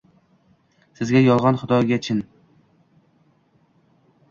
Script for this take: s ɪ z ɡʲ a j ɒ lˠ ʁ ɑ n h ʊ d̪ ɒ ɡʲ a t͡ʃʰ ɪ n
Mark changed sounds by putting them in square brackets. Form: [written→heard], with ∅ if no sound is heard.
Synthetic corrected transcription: s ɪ z ɡʲ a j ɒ lˠ ʁ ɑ n [h→χ] ʊ d̪ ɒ ɡʲ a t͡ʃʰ ɪ n